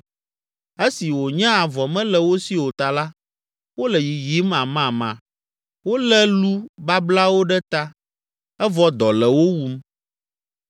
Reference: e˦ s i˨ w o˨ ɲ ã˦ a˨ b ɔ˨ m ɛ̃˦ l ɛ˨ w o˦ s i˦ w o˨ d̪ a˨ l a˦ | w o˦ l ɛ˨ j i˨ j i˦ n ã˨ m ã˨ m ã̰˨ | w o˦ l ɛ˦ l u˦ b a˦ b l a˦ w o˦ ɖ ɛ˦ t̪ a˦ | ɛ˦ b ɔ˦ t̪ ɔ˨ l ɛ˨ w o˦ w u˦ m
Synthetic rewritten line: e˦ s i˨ w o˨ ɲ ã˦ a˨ v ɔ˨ m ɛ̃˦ l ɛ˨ w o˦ s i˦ w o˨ t̪ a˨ l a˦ | w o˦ l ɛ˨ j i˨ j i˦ m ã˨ m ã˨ m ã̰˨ | w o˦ l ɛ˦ l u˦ b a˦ b l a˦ w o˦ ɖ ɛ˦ t̪ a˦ | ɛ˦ v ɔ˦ d̪ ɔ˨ l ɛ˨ w o˦ w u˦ m